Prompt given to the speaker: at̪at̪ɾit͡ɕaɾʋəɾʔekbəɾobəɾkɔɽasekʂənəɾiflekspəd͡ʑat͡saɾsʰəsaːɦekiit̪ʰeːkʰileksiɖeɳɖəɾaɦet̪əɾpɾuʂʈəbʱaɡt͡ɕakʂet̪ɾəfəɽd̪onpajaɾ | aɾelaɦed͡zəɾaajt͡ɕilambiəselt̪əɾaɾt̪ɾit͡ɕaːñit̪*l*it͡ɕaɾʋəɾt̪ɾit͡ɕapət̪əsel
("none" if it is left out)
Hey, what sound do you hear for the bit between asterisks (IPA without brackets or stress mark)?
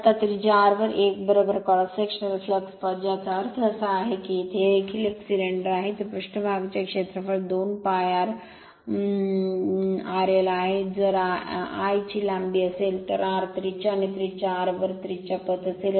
ɾ